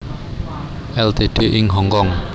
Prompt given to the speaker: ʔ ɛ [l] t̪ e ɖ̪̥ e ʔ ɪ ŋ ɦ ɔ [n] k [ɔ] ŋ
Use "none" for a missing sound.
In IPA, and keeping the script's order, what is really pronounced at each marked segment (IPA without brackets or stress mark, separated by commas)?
l, ŋ, ɔ